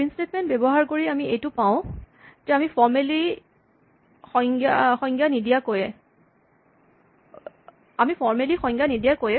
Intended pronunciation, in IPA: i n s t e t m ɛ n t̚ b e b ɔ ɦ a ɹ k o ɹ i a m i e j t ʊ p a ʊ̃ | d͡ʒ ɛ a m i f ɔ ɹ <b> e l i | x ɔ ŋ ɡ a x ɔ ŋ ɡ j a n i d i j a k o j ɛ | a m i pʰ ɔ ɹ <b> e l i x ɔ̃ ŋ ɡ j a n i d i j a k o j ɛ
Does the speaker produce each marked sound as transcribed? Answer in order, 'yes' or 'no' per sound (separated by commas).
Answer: no, no